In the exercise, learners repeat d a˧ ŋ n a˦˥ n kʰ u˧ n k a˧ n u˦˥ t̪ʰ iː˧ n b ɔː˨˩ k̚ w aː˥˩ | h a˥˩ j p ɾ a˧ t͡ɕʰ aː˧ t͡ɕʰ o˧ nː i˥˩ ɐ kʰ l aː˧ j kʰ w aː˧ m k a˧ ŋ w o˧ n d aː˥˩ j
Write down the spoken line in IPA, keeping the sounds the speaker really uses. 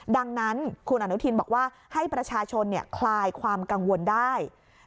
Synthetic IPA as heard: d a˧ ŋ n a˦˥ n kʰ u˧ n ʔ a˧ n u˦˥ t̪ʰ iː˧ n b ɔː˨˩ k̚ w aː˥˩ | h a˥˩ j p ɾ a˧ t͡ɕʰ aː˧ t͡ɕʰ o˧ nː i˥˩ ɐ kʰ l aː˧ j kʰ w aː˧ m k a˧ ŋ w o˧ n d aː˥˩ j